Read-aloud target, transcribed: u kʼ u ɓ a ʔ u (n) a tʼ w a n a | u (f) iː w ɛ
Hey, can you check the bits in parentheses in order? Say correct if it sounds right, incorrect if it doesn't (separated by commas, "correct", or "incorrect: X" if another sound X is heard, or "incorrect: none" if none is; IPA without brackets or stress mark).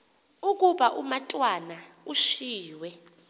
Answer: incorrect: m, incorrect: ʃ